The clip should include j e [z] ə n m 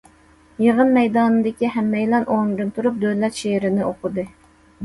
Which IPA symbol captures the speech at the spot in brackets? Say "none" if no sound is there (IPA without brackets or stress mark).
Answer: ʁ